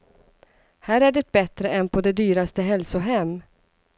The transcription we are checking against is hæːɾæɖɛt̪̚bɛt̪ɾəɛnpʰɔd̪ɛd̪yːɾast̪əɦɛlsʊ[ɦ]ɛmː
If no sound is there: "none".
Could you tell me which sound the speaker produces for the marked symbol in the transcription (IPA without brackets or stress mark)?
ɦ